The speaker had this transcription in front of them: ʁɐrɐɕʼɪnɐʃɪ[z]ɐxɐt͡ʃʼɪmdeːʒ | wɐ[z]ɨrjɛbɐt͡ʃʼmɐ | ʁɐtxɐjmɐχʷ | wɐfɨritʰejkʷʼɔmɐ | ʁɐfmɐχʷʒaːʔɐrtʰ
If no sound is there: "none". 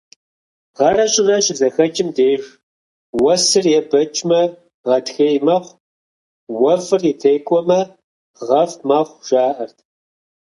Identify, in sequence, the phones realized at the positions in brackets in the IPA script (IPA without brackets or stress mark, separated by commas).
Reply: z, s